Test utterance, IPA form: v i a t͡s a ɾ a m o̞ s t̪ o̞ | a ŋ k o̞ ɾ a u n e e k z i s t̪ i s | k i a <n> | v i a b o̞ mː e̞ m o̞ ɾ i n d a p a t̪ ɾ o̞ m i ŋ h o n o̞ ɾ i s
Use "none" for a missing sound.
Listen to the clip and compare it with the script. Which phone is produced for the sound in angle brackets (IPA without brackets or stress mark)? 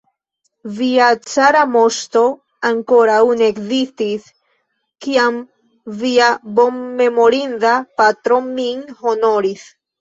m